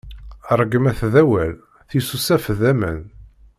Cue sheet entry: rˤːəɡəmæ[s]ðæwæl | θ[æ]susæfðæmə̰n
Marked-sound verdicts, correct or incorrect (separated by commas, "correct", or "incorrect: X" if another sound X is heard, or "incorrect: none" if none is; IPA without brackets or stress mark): incorrect: θ, incorrect: i